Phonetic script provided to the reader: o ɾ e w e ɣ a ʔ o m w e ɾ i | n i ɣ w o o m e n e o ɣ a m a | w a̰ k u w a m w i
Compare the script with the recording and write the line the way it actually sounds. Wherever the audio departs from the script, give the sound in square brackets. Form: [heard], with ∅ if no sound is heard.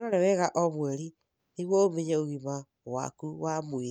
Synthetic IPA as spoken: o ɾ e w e ɣ a ʔ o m w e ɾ i | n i ɣ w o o m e [ɲ] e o ɣ [i] m a | w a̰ k u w a m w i